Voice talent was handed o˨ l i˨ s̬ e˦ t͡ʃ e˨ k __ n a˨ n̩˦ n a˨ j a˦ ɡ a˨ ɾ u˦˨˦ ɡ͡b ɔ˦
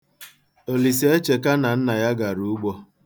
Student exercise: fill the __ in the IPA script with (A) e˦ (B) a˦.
B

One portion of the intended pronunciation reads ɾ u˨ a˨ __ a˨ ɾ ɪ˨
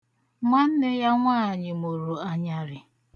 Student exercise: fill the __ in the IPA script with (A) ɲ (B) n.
A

